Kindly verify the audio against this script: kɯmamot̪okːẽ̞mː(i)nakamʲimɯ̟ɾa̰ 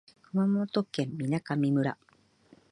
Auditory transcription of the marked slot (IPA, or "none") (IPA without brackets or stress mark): i